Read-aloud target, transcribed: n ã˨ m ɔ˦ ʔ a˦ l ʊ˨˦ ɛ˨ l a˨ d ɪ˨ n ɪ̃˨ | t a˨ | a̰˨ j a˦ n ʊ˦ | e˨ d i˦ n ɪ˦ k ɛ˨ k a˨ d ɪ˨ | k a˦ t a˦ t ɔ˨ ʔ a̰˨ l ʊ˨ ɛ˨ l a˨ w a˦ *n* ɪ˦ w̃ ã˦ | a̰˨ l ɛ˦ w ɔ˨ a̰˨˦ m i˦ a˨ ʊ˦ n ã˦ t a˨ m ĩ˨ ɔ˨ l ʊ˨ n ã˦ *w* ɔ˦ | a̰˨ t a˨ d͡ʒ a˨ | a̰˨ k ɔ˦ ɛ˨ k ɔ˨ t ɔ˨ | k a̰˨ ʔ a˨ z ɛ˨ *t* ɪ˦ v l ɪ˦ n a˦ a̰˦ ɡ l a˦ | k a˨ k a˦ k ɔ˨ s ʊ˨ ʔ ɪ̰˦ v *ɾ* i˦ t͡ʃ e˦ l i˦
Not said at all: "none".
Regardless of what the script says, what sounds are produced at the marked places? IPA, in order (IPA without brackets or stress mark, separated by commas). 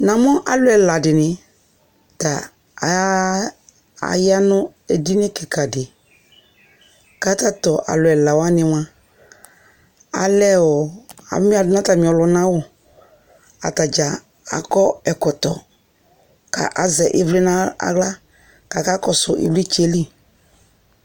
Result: n, w, ʔ, l